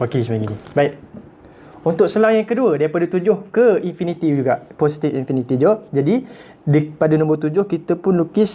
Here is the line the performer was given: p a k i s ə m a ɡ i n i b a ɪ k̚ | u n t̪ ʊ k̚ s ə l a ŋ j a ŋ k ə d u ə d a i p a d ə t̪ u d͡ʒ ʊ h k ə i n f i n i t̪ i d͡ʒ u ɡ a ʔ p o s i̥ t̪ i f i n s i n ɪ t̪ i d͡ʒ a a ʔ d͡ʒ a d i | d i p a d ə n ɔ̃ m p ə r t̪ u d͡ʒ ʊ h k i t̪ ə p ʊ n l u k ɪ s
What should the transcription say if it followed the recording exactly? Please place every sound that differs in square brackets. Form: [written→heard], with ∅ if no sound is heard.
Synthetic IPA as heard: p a k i s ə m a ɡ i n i b a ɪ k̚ | u n t̪ ʊ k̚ s ə l a ŋ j a ŋ k ə d u ə d a i p a d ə t̪ u d͡ʒ ʊ h k ə i n f i n i t̪ i d͡ʒ u ɡ a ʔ p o s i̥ t̪ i f i n [s→f] i n [ɪ→i] t̪ i d͡ʒ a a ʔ d͡ʒ a d i | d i p a d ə n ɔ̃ m [p→b] ə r t̪ u d͡ʒ ʊ h k i t̪ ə p ʊ n l u k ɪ s